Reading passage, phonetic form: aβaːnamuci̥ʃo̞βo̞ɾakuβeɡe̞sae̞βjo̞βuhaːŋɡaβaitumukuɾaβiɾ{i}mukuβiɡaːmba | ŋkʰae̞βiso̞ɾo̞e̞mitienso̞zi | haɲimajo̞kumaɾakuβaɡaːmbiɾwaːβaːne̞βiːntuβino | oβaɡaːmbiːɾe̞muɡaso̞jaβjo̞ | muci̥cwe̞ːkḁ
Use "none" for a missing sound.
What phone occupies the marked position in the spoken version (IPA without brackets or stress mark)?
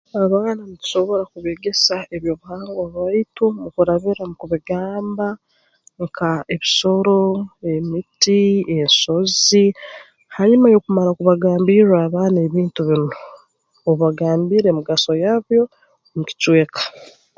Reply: a